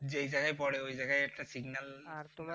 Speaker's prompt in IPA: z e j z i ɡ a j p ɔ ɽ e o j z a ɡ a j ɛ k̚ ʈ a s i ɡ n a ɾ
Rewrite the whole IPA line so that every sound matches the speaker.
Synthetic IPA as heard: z e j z a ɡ a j p ɔ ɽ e o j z a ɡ a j ɛ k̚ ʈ a s i ɡ n a l